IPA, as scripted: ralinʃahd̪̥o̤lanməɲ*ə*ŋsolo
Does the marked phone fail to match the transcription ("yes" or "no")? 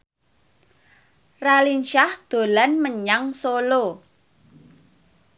yes